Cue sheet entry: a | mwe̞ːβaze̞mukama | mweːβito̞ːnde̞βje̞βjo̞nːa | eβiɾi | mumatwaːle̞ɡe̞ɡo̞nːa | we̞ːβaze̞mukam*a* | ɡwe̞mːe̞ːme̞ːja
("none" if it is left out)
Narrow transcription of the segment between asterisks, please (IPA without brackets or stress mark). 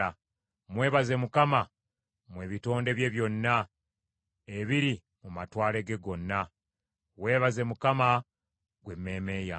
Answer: a